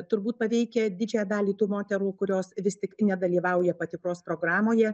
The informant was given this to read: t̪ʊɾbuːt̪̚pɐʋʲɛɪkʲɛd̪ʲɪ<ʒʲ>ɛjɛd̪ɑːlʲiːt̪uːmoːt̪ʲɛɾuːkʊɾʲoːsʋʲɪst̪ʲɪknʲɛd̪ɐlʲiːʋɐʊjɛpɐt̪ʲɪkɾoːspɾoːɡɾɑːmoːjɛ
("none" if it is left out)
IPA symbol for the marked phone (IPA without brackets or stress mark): d͡ʒʲ